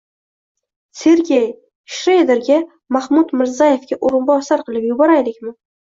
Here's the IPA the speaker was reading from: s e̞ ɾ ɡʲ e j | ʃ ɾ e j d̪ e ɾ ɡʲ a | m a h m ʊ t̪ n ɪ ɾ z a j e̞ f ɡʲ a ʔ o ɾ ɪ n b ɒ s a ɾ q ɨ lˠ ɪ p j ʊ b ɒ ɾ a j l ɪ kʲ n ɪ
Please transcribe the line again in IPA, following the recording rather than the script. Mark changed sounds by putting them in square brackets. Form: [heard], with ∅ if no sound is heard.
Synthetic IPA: s e̞ ɾ ɡʲ e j | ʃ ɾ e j d̪ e ɾ ɡʲ a | m a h m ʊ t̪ [m] ɪ ɾ z a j e̞ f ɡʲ a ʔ o ɾ ɪ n b ɒ s a ɾ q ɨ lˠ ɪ p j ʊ b ɒ ɾ a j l ɪ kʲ [m] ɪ